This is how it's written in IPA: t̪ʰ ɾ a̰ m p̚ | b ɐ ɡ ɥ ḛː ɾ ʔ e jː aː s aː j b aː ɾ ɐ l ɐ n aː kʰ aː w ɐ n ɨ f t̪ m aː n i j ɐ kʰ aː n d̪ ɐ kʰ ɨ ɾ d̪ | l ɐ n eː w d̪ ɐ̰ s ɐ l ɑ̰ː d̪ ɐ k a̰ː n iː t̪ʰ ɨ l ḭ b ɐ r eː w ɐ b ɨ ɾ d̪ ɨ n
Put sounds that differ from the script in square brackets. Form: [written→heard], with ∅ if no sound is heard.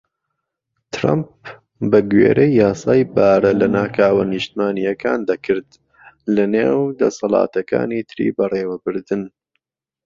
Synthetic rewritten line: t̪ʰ ɾ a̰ m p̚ | b ɐ ɡ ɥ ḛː ɾ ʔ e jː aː s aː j b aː ɾ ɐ l ɐ n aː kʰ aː w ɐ n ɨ [f→ʃ] t̪ m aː n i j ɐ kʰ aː n d̪ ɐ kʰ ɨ ɾ d̪ | l ɐ n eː w d̪ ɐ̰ s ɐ l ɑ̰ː [d̪→t̪] ɐ k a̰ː n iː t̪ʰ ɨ [l→ɾ] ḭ b ɐ r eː w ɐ b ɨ ɾ d̪ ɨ n